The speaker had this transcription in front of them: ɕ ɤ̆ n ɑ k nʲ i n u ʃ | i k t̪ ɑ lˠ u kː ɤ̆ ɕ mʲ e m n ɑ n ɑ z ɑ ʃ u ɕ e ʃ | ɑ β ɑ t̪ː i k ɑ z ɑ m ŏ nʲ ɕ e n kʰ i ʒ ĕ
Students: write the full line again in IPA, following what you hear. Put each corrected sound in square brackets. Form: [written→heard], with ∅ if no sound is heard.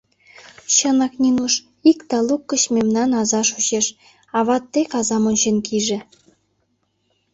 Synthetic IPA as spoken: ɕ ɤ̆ n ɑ k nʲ i n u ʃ | i k t̪ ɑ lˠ u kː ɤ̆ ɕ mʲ e m n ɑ n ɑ z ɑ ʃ u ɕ e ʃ | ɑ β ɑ t̪ː [i→e] k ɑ z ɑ m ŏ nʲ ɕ e n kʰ i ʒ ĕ